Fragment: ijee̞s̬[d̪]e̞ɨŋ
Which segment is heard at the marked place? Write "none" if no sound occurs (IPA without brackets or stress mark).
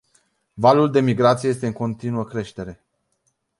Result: t̪